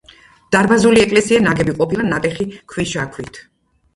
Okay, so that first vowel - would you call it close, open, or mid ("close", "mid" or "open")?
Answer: open